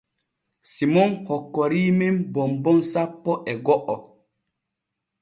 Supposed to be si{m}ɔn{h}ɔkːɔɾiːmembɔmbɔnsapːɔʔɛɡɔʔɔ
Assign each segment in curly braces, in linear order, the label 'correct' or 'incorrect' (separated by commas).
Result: correct, correct